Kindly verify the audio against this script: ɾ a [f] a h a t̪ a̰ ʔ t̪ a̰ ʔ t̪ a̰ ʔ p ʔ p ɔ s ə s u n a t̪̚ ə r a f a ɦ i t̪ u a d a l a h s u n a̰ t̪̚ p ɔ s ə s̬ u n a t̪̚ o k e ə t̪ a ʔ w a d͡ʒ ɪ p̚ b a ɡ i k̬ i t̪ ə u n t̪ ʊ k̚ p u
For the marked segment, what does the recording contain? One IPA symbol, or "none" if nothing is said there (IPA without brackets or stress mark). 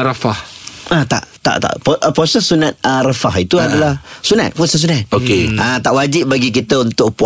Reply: f